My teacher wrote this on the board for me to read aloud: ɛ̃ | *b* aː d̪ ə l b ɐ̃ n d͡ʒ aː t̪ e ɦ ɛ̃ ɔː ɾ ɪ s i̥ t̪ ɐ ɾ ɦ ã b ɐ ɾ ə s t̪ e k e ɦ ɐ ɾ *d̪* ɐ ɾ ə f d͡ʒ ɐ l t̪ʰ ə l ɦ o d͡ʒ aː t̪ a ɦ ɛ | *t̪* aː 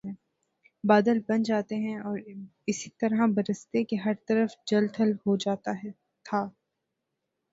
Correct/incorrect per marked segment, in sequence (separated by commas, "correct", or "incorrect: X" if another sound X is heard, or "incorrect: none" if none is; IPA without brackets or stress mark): correct, incorrect: t̪, incorrect: t̪ʰ